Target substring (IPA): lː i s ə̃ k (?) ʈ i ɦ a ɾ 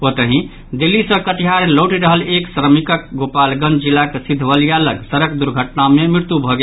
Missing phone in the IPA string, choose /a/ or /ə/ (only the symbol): ə